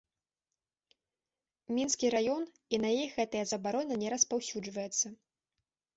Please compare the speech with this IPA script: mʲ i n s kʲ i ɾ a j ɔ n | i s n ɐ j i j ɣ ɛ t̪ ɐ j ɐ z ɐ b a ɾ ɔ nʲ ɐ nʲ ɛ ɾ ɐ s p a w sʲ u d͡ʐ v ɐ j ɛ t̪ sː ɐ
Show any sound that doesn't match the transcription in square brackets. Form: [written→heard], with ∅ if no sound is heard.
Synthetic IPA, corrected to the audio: mʲ i n s kʲ i ɾ a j ɔ n | i [s→∅] n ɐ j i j ɣ ɛ t̪ ɐ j ɐ z ɐ b a ɾ ɔ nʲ ɐ nʲ ɛ ɾ ɐ s p a w sʲ u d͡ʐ v ɐ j ɛ t̪ sː ɐ